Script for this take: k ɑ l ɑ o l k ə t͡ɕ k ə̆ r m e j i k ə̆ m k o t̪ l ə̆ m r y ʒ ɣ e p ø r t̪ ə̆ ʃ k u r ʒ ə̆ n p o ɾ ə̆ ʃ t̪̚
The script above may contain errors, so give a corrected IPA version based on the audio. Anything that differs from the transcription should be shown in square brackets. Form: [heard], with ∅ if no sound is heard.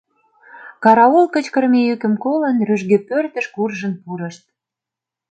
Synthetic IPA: k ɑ [ɾ] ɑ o l k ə t͡ɕ k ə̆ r m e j [y] k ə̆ m k o [∅] l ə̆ [n] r y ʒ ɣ e p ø r t̪ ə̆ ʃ k u r ʒ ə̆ n p [u] ɾ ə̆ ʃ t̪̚

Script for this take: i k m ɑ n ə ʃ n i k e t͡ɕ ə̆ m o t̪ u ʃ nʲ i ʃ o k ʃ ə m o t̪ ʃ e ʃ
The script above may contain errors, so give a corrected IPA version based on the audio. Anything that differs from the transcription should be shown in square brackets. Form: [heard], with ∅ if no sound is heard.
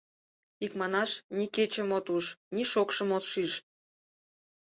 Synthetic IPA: i k m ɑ n [ɑ] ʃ n i k e t͡ɕ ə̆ m o t̪ u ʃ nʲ i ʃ o k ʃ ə m o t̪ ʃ [i] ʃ

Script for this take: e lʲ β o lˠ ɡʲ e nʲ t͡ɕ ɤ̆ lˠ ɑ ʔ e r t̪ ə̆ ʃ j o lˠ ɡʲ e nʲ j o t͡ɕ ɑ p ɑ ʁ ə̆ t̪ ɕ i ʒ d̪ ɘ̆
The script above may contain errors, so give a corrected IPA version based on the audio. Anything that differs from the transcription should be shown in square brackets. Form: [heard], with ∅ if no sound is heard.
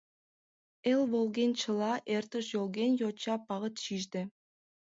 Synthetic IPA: e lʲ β o lˠ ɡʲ e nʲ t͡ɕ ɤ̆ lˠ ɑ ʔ e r t̪ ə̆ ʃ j o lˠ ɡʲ e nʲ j o t͡ɕ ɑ p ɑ ʁ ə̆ t̪ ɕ i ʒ d̪ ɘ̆

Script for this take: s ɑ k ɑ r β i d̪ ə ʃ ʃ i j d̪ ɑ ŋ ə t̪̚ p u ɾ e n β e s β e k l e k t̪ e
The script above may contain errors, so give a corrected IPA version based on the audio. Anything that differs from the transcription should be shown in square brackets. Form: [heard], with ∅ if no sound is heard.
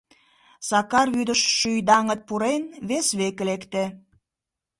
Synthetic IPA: s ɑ k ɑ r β [y] d̪ ə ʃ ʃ [y] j d̪ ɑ ŋ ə t̪̚ p u ɾ e n β e s β e k l e k t̪ e

